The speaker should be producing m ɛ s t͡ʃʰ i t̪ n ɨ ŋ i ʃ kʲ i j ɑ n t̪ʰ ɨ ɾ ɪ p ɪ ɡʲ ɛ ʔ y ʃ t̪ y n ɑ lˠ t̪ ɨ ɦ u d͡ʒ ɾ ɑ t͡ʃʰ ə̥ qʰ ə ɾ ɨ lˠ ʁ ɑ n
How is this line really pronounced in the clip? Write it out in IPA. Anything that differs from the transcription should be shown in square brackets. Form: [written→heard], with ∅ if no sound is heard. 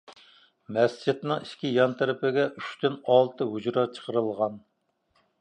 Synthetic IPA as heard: m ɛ s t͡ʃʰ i t̪ n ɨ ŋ i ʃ kʲ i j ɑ n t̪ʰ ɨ ɾ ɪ p ɪ ɡʲ ɛ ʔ y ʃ t̪ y n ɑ lˠ t̪ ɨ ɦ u d͡ʒ ɾ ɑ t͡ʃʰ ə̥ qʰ ə ɾ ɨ lˠ ʁ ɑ n